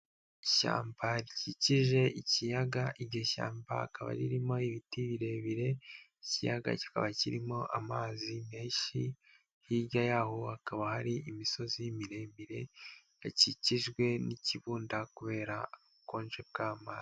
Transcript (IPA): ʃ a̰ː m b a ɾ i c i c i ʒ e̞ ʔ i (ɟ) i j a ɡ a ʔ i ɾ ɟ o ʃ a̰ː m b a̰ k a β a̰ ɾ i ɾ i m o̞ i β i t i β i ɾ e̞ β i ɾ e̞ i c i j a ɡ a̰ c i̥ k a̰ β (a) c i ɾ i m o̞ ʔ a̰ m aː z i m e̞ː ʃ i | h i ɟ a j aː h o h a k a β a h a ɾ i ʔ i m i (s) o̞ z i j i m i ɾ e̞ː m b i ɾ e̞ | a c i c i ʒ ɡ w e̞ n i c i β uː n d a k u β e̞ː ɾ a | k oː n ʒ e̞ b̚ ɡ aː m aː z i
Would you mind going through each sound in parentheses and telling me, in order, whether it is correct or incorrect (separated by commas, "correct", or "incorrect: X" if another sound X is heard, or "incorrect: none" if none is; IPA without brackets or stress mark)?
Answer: incorrect: c, correct, correct